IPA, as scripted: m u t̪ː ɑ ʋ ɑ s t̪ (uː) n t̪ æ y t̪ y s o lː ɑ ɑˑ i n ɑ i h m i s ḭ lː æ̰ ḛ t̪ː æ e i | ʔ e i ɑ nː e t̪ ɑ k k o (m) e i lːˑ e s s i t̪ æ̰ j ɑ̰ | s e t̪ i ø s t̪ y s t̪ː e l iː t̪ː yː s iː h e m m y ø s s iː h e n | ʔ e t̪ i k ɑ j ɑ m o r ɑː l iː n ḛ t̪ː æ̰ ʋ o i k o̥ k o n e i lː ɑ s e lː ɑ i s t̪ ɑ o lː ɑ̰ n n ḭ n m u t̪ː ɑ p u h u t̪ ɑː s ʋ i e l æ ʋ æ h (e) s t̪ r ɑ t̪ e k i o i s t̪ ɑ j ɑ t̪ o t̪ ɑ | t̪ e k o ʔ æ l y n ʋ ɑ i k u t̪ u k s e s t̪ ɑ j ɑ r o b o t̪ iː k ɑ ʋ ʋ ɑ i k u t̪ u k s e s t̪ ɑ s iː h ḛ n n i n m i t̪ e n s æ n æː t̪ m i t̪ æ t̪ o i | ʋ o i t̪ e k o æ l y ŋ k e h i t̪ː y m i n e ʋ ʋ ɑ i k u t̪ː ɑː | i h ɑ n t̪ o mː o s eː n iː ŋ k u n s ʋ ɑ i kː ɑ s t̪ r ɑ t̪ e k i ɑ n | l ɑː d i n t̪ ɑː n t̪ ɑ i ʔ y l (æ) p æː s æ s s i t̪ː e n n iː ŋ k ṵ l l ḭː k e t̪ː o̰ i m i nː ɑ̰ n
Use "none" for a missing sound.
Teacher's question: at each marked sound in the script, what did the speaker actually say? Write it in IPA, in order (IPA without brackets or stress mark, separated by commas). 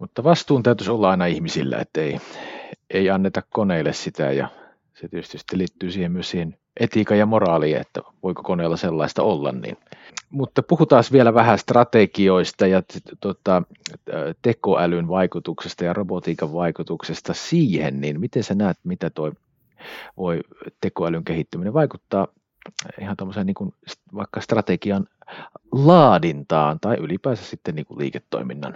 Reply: uː, n, æ, i